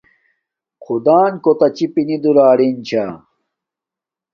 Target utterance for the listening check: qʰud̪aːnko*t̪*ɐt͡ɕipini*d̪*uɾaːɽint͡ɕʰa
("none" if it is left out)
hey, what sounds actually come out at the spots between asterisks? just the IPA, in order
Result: t̪, d̪

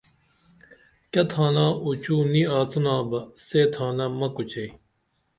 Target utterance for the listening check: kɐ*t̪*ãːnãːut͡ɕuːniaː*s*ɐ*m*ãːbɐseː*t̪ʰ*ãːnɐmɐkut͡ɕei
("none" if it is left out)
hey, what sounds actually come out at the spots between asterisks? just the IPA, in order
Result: t̪ʰ, t͡s, n, t̪ʰ

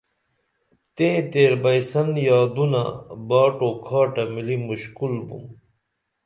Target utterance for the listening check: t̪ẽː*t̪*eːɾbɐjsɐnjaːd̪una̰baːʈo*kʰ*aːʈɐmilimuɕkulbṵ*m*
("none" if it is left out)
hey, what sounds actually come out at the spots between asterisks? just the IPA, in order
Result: t̪, kʰ, m

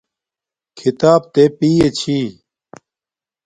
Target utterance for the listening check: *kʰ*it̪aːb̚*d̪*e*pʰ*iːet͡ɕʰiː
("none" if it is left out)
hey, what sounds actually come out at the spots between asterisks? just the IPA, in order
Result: kʰ, t̪, p

